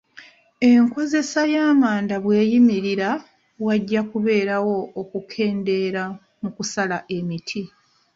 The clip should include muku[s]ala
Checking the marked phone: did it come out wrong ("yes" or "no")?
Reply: no